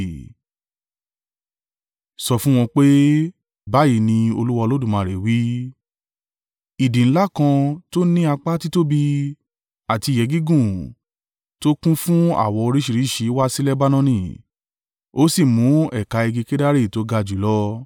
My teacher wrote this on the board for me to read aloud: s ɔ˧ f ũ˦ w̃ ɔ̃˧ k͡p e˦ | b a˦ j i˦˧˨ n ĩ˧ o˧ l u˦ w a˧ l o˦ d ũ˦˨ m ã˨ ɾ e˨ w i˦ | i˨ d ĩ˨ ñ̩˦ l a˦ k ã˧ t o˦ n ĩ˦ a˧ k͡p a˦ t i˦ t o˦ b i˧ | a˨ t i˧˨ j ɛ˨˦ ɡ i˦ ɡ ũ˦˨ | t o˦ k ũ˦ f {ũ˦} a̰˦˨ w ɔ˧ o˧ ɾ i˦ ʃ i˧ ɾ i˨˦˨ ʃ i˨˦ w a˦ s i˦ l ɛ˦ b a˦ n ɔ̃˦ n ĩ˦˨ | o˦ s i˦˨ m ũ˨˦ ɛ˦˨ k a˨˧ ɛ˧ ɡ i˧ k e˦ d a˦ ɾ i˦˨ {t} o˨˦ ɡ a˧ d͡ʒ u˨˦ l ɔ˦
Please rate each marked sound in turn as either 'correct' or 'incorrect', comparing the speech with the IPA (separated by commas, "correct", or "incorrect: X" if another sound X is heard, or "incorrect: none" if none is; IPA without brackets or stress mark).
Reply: correct, correct